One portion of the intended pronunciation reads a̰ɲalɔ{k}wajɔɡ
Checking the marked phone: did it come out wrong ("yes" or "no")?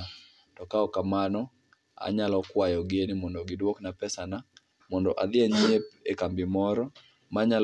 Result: no